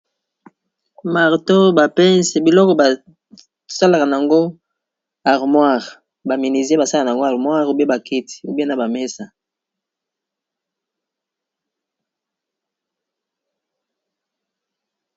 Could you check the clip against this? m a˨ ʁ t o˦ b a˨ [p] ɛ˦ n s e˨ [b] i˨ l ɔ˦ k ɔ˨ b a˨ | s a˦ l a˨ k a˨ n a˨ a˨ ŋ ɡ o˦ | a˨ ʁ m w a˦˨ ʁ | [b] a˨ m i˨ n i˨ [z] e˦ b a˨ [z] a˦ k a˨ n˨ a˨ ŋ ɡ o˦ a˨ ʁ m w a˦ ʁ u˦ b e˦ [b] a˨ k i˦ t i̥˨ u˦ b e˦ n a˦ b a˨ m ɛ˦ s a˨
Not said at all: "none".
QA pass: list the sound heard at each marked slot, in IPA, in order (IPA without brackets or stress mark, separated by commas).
p, b, b, z, s, b